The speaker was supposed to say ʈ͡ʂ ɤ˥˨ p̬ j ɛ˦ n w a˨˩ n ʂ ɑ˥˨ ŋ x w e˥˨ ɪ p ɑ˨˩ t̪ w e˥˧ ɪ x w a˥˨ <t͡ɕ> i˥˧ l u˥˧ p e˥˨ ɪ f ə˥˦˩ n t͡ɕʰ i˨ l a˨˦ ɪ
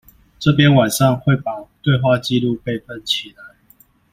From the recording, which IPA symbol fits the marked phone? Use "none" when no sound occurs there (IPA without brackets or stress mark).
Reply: t͡ɕ